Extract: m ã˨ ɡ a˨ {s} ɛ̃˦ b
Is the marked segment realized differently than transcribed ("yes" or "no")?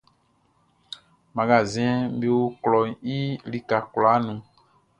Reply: yes